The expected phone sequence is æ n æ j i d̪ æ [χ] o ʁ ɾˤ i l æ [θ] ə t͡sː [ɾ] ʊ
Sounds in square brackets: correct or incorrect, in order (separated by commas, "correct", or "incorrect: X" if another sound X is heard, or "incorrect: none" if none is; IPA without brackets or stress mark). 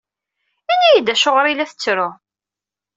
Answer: incorrect: ʃ, correct, correct